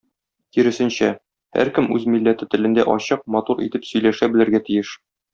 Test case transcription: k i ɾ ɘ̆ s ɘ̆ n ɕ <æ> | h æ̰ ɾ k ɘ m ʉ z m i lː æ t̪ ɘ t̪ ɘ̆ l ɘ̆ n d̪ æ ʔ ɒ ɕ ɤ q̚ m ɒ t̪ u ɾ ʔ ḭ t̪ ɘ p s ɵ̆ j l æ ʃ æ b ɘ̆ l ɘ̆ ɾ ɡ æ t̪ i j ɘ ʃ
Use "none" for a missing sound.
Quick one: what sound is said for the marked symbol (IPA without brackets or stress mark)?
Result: æ